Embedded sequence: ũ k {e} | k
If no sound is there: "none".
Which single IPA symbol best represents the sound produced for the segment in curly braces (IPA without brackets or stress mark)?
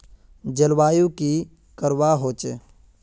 i